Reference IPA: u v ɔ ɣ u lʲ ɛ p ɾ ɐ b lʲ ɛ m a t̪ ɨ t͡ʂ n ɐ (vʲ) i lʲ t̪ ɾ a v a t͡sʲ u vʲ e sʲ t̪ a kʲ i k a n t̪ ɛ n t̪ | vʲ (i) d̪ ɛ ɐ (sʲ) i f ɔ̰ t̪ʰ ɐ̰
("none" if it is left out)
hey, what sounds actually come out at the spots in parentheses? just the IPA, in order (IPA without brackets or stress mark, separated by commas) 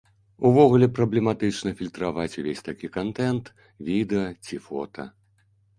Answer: fʲ, i, t͡sʲ